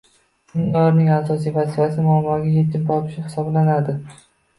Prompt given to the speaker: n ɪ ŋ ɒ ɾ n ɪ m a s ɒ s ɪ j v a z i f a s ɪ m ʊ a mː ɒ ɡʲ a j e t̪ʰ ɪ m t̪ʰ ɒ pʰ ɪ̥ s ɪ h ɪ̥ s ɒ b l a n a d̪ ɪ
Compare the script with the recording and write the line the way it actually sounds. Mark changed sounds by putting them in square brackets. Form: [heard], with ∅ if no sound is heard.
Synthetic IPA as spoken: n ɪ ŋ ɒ ɾ n ɪ [ŋ] a s ɒ s [i] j v a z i f a s ɪ m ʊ a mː ɒ ɡʲ a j e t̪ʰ ɪ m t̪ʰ ɒ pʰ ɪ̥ [ʃ] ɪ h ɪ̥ s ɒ b l a n a d̪ ɪ